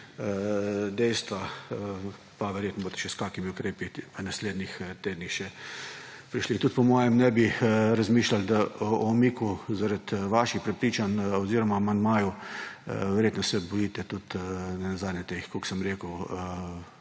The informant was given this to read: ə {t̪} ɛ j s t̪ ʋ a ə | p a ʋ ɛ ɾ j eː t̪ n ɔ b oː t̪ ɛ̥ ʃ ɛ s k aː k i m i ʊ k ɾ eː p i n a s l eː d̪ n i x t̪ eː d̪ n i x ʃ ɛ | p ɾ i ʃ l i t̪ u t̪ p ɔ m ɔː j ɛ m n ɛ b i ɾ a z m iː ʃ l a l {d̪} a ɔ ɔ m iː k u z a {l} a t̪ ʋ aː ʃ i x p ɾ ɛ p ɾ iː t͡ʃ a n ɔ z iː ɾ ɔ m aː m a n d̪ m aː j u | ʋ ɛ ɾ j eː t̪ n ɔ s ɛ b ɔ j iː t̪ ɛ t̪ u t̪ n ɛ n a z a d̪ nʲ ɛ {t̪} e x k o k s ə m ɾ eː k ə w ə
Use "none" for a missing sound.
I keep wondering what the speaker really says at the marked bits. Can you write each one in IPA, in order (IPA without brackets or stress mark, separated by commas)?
d̪, d̪, ɾ, t̪